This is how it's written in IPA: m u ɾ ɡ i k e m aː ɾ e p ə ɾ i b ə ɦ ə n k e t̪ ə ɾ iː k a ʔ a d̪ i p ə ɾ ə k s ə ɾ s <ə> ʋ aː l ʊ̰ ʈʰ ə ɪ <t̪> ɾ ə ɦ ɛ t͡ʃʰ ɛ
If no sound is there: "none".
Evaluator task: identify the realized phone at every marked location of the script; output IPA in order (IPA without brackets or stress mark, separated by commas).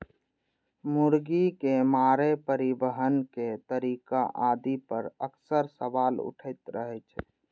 ə, t̪